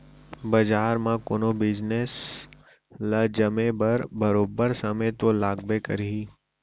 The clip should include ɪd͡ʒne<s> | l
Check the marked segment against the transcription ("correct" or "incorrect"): correct